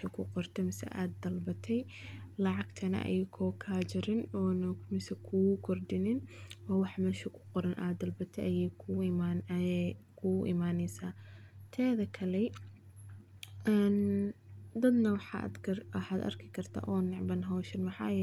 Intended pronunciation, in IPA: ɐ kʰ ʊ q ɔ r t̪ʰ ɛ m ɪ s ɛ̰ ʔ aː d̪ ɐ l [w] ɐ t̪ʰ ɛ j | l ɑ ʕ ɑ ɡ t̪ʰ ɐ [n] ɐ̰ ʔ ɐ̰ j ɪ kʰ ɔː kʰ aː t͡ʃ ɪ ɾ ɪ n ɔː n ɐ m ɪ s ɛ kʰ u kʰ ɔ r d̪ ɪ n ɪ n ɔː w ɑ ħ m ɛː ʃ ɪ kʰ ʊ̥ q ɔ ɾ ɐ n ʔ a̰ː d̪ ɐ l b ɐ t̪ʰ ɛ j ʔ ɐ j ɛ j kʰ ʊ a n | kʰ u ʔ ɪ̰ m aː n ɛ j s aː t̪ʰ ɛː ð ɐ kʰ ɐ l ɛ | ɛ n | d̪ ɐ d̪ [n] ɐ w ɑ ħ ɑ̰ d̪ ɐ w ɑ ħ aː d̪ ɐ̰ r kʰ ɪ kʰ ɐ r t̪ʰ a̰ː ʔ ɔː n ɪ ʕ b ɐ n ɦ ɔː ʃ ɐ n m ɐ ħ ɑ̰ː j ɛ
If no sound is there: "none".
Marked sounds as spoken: b, n, n

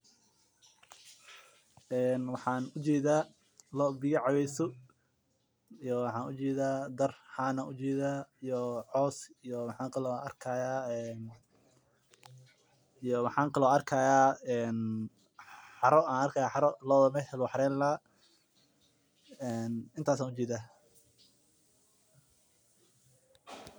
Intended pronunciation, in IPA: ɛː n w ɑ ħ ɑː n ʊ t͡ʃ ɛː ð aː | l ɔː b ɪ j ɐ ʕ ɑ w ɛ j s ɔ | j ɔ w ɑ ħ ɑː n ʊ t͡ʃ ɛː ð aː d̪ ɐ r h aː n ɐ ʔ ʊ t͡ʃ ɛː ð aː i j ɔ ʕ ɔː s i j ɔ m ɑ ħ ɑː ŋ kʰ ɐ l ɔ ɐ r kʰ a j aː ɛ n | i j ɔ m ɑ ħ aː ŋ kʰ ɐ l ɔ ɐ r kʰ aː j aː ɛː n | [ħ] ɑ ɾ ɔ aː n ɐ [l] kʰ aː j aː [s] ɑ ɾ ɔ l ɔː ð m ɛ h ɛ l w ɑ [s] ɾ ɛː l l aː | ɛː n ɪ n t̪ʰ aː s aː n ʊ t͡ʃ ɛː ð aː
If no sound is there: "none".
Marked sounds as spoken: ħ, r, ħ, ħ

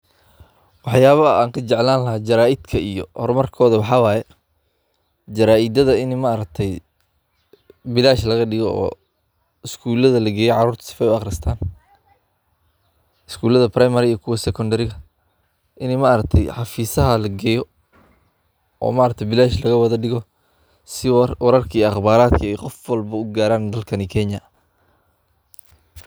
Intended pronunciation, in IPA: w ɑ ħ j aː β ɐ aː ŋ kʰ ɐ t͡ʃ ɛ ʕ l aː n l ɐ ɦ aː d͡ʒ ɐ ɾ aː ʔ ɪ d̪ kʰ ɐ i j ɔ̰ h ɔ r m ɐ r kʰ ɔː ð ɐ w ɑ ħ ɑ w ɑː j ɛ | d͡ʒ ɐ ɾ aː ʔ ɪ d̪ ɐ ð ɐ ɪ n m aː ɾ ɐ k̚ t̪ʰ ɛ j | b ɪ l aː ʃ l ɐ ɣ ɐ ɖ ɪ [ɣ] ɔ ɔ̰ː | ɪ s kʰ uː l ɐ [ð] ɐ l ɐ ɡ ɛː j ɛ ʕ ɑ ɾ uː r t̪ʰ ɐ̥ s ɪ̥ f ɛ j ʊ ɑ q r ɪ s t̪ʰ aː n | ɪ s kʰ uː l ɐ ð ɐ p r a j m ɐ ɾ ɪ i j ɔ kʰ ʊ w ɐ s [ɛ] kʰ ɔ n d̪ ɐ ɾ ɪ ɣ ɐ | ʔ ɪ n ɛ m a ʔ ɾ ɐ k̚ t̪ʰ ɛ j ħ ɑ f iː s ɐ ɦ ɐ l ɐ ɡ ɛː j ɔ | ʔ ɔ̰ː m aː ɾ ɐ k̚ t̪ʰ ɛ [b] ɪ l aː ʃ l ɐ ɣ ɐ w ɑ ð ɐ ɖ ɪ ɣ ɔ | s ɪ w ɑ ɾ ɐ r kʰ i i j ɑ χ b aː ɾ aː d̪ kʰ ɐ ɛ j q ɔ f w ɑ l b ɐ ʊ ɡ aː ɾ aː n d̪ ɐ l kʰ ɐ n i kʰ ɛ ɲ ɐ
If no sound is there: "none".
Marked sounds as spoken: ɣ, ð, ɛ, b

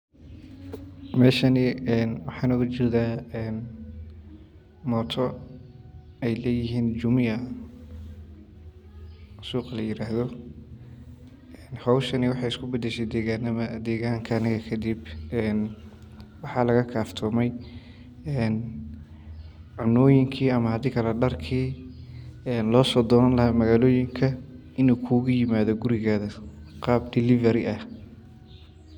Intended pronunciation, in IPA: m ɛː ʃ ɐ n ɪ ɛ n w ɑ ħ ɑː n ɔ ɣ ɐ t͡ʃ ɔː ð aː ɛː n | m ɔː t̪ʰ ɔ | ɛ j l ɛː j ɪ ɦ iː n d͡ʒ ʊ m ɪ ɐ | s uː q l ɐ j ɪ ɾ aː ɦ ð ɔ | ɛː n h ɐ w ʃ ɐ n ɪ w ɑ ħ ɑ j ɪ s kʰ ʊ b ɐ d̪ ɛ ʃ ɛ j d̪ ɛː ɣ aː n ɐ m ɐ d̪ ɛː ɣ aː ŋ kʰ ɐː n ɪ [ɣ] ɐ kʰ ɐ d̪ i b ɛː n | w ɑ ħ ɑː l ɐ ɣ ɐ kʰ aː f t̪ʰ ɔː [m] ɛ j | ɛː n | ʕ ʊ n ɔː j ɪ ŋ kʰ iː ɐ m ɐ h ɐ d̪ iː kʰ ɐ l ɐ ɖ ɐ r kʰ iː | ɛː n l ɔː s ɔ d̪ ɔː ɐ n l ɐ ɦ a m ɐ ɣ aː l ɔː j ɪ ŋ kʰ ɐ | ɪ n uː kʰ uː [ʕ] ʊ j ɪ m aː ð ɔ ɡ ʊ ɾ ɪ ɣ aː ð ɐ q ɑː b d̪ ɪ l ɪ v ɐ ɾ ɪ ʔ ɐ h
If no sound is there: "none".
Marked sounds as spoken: ɣ, m, ɣ

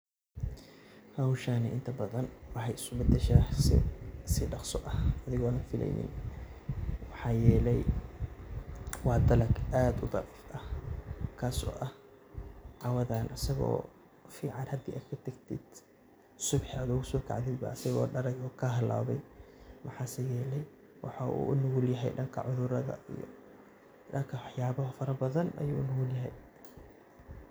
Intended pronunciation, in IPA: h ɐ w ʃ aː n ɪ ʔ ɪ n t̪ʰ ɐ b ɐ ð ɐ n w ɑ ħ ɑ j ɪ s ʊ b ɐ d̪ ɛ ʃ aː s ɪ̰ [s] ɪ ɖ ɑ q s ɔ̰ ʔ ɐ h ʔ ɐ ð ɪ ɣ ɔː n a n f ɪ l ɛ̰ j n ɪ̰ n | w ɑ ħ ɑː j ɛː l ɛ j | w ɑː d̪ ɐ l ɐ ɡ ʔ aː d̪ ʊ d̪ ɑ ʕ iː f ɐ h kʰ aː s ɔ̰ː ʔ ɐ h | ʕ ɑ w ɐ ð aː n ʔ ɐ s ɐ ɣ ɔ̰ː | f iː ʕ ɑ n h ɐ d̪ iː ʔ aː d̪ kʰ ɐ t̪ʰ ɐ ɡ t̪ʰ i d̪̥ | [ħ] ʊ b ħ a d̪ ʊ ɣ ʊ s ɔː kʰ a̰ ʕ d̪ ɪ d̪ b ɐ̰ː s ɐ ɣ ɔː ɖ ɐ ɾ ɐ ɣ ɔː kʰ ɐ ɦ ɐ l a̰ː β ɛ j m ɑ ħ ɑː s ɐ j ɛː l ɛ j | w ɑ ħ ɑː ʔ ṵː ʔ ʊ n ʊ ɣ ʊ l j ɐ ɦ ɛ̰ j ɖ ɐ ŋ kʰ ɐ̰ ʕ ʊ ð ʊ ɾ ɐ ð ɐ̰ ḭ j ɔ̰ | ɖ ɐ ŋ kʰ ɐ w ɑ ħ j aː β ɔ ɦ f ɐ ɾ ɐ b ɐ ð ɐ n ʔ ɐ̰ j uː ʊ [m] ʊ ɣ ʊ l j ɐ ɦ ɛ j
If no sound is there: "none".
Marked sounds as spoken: s, s, n

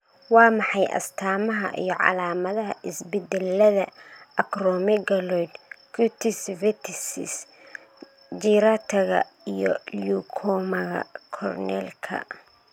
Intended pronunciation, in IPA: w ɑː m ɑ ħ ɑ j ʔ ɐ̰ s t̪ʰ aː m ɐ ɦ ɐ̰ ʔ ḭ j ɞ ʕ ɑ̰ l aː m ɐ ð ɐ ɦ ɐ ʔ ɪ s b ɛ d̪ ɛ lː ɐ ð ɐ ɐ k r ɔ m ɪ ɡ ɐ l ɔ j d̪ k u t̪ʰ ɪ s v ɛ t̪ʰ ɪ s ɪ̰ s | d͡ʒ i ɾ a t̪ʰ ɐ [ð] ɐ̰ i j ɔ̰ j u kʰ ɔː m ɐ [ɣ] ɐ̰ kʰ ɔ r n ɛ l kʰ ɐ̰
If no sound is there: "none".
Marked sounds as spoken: ɣ, ɣ

